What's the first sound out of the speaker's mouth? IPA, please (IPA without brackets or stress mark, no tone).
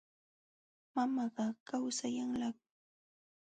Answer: m